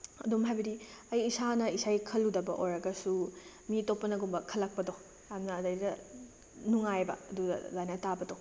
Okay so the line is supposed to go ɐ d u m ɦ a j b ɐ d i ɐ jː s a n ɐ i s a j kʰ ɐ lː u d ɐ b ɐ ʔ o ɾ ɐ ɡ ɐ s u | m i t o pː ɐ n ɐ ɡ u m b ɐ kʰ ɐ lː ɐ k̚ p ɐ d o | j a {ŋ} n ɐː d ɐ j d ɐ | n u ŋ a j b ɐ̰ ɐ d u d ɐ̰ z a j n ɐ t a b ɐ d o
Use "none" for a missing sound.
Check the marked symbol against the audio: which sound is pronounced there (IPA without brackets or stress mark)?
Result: m